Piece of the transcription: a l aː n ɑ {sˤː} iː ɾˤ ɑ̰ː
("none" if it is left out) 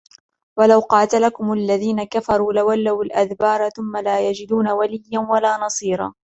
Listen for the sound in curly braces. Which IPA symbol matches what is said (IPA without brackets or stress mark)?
sˤ